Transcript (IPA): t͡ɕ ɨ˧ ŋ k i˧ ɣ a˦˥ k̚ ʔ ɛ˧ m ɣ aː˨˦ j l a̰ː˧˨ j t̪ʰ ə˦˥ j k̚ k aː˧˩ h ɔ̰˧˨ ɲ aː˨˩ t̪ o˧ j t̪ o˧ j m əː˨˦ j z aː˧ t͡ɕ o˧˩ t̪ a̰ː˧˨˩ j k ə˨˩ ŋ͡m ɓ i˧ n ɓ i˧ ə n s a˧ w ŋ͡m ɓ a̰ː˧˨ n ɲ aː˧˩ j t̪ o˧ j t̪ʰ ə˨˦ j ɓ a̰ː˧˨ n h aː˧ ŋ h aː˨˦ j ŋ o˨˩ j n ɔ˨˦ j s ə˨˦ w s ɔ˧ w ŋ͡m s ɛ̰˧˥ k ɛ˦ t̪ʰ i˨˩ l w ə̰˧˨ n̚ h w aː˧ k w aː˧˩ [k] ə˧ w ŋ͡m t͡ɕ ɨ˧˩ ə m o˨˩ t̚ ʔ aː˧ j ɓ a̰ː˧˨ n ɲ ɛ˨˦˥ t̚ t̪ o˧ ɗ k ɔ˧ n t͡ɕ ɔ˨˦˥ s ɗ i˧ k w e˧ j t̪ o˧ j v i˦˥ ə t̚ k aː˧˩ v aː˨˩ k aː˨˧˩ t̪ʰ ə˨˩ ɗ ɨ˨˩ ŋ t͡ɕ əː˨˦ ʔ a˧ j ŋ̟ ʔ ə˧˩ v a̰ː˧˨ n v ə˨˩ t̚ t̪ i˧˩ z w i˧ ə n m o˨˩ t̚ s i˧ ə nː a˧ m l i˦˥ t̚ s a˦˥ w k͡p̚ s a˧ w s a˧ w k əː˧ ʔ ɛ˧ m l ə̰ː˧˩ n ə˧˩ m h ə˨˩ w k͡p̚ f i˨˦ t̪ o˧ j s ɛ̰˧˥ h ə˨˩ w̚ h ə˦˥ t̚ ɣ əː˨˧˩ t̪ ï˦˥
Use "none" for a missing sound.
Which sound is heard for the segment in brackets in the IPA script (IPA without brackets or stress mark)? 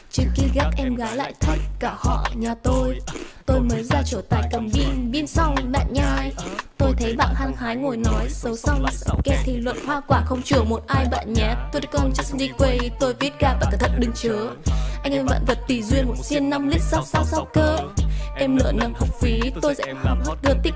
x